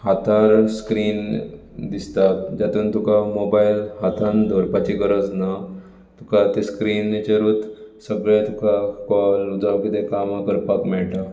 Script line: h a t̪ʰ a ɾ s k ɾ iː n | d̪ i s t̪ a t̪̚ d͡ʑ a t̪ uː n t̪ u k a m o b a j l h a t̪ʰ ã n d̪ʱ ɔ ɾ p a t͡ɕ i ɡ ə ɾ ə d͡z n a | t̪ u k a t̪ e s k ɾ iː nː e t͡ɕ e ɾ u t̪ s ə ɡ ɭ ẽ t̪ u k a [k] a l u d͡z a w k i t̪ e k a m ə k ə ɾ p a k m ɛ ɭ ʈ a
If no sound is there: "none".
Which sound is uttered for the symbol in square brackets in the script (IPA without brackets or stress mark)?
k